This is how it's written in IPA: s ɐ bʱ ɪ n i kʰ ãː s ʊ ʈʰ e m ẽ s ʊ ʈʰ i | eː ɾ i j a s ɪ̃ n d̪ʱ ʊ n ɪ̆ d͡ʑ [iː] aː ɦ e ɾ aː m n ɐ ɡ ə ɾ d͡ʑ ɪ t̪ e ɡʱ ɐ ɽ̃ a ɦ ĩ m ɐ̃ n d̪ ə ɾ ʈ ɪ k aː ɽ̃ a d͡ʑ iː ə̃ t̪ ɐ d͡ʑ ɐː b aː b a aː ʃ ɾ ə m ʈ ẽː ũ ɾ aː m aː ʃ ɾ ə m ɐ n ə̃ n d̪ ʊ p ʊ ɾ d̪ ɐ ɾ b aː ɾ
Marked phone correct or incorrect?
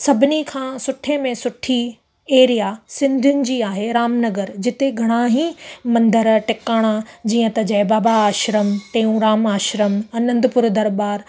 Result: correct